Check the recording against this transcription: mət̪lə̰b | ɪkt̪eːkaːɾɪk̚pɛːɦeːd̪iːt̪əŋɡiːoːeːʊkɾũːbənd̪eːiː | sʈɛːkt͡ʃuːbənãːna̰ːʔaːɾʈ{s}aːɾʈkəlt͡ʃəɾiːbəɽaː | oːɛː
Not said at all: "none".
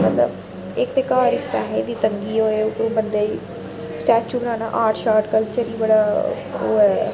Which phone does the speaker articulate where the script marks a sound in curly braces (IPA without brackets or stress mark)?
ʃ